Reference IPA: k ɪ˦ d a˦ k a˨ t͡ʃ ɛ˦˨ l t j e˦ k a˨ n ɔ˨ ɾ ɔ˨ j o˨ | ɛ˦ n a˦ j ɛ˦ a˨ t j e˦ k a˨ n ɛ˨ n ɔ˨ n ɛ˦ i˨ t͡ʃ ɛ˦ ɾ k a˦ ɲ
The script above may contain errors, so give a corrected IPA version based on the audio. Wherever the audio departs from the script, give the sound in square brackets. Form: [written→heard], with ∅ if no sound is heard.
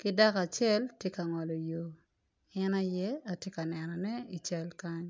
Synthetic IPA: k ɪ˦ d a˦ k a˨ t͡ʃ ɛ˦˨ l t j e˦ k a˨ [n→ŋ] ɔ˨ [ɾ→l] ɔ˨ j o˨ | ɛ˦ n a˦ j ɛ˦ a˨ t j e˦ k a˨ n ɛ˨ n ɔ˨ n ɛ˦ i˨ t͡ʃ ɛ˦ [ɾ→l] k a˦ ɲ